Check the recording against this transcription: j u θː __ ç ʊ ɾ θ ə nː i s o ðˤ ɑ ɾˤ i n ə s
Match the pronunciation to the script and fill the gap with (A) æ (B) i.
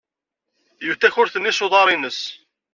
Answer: A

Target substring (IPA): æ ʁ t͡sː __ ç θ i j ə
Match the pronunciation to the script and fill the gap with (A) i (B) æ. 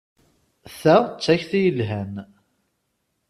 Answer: B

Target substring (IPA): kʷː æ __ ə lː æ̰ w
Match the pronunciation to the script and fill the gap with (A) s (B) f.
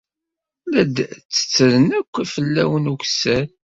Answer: B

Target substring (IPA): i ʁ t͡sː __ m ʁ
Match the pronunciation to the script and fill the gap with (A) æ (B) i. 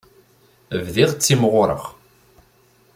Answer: B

